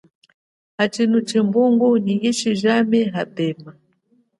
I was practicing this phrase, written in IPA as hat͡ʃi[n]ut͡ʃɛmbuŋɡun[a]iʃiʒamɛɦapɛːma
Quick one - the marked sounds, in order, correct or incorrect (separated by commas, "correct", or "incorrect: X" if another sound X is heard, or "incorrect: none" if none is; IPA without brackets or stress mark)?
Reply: correct, incorrect: i